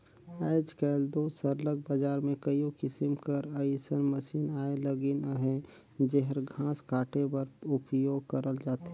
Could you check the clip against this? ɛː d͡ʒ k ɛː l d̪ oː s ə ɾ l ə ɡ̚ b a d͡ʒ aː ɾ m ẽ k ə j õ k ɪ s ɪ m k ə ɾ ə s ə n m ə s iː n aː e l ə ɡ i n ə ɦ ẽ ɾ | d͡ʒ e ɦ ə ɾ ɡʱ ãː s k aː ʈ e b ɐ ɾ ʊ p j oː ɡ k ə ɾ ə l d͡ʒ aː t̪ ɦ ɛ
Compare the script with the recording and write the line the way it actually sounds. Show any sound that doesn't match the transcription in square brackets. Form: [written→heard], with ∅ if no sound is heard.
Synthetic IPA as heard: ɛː d͡ʒ k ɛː l d̪ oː s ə ɾ l ə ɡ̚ b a d͡ʒ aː ɾ m ẽ k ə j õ k ɪ s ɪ m k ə ɾ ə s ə n m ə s iː n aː e l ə ɡ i n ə ɦ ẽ [ɾ→∅] | d͡ʒ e ɦ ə ɾ ɡʱ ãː s k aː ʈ e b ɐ ɾ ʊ p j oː ɡ k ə ɾ ə l d͡ʒ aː t̪ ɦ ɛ